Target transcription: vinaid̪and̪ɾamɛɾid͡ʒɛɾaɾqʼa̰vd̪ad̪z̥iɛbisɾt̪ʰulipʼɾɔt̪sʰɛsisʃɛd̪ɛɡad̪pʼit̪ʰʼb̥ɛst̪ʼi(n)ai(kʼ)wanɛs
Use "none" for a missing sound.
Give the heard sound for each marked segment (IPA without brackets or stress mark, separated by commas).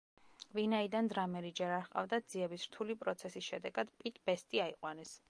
none, qʼ